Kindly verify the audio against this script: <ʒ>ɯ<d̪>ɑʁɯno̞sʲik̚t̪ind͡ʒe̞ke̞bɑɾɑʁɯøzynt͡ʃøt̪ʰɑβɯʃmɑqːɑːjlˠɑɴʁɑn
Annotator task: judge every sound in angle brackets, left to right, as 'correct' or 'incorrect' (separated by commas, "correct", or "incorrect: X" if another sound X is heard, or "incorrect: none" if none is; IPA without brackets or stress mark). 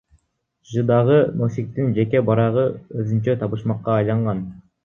correct, correct